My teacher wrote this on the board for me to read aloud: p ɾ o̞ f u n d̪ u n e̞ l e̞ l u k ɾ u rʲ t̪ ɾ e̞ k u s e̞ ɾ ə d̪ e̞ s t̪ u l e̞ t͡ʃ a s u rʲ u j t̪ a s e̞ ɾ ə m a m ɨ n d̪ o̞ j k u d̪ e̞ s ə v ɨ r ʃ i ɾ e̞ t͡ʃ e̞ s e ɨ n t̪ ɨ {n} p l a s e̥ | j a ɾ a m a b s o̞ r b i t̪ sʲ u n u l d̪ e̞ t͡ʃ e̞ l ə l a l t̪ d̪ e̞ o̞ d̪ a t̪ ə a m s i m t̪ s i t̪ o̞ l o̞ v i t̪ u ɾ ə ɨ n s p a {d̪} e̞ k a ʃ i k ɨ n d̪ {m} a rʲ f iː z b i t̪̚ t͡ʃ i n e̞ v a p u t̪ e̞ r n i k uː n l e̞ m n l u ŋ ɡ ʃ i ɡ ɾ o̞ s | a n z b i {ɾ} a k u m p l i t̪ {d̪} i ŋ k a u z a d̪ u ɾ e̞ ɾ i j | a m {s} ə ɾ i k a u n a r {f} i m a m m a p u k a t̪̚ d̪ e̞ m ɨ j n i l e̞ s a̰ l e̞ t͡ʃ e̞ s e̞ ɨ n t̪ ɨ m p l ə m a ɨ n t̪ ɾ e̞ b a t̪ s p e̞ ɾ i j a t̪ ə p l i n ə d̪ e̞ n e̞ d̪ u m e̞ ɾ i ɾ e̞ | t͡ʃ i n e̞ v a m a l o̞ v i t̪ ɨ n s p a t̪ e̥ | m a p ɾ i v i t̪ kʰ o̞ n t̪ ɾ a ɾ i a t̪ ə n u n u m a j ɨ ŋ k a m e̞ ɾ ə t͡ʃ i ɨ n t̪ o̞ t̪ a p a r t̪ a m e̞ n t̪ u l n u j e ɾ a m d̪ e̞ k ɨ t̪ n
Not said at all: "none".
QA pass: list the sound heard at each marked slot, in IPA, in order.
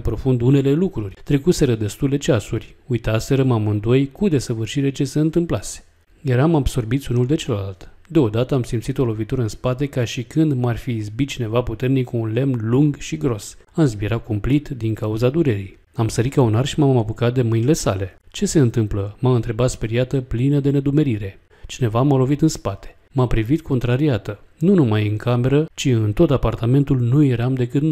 m, t̪, m, ɾ, d̪, s, ʃ

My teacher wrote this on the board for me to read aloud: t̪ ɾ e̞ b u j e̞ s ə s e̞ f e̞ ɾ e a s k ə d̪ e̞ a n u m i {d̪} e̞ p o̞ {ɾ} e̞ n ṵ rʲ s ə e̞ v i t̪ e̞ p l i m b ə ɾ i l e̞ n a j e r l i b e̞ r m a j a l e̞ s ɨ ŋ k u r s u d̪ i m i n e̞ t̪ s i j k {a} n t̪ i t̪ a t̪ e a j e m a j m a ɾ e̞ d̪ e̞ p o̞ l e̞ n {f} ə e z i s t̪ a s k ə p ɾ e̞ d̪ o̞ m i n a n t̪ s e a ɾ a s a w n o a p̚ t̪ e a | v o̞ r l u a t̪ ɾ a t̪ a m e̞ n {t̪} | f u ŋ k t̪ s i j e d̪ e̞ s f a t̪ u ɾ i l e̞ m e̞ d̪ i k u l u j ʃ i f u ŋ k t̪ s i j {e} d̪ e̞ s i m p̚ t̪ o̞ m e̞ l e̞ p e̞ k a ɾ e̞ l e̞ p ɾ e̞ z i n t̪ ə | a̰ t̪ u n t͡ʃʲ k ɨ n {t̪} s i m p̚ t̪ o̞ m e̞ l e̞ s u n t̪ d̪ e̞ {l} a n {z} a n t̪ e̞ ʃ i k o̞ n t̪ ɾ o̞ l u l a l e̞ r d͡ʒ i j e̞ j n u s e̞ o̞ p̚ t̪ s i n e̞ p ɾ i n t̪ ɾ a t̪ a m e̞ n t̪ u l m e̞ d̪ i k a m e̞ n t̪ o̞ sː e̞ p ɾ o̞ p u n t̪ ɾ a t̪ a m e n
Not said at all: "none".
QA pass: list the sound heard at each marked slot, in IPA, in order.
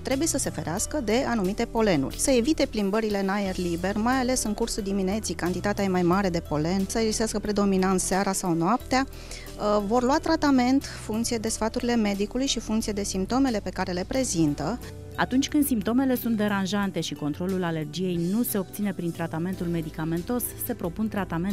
t̪, l, a, s, t̪, e, d̪, ɾ, ʒ

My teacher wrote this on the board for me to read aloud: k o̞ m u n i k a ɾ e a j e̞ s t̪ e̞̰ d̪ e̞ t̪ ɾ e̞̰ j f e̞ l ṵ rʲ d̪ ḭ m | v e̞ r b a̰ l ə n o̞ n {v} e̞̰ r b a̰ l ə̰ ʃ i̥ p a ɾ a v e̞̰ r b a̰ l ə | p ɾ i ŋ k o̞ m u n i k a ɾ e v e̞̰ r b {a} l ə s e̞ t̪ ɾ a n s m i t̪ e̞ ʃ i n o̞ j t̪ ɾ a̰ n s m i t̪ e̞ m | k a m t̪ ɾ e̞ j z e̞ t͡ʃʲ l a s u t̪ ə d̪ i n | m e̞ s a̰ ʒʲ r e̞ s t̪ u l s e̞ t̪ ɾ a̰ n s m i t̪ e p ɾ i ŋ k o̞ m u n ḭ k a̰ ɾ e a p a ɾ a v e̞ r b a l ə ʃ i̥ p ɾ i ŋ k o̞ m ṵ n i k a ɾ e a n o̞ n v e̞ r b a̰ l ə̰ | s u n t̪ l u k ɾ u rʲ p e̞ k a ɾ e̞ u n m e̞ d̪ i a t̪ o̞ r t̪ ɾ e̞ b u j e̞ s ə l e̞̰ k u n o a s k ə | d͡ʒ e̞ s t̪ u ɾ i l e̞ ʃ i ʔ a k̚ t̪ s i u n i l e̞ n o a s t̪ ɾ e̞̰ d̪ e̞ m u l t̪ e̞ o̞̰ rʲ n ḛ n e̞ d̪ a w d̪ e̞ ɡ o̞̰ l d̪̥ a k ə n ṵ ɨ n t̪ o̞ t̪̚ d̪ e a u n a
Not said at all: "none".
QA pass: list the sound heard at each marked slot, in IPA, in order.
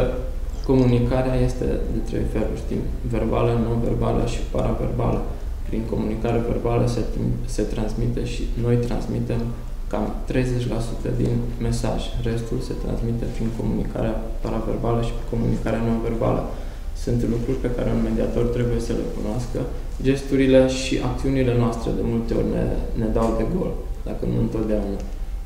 v, a

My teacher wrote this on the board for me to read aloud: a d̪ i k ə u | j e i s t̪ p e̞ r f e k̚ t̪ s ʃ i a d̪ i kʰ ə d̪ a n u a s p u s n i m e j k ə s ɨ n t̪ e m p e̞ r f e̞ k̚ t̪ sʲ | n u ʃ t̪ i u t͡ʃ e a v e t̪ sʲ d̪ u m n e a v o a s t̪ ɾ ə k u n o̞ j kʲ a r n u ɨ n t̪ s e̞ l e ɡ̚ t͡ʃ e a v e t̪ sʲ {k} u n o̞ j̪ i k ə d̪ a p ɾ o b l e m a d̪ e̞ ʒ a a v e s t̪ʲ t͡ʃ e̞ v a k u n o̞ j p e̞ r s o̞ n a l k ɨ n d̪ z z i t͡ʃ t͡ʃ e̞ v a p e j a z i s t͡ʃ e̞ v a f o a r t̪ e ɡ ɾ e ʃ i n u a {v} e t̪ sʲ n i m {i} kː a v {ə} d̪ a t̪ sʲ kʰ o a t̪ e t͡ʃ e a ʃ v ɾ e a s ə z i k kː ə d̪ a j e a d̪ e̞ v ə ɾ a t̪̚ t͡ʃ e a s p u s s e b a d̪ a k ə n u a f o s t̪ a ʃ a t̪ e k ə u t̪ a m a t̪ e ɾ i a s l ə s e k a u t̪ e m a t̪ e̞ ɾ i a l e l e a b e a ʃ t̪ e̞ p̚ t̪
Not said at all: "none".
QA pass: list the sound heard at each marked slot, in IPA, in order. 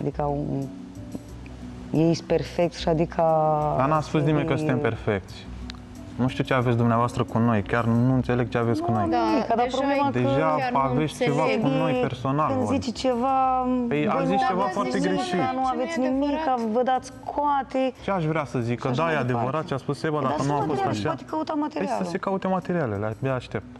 k, v, i, ə

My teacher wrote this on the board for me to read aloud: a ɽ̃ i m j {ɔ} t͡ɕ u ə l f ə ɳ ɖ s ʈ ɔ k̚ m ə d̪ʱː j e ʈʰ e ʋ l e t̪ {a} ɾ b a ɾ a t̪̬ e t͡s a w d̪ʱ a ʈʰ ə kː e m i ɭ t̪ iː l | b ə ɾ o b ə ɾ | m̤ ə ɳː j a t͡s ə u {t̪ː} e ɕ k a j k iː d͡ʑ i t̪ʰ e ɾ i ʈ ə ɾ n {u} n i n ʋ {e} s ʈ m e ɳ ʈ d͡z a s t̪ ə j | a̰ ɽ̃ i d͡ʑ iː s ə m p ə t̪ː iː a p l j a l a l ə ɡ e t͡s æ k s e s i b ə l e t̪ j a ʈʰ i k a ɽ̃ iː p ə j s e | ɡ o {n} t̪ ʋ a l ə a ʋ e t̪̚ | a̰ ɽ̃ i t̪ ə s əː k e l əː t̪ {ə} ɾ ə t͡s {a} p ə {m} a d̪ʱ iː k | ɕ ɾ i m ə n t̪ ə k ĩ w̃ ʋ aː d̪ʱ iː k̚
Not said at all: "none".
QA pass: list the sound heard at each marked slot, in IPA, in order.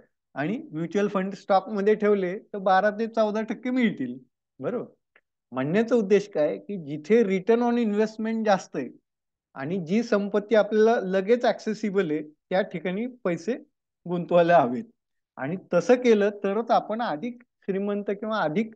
u, ə, d̪ː, ɔ, e, n, ə, a, ɳ

